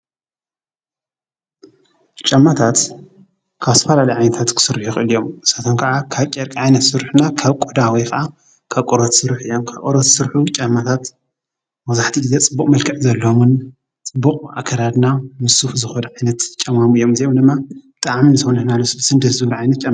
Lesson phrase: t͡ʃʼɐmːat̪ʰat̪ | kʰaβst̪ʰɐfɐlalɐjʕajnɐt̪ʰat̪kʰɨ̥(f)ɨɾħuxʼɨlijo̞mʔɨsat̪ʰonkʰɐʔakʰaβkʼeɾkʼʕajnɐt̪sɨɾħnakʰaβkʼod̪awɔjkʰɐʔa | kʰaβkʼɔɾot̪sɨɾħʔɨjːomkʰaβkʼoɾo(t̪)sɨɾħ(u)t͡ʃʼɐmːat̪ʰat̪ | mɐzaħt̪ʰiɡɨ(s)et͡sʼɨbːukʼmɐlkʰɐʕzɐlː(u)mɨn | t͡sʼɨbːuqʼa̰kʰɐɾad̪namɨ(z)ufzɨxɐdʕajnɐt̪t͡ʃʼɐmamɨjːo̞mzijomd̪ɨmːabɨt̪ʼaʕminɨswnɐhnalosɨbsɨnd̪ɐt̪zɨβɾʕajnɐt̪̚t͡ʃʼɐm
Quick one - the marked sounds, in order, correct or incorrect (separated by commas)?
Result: incorrect, correct, correct, incorrect, incorrect, incorrect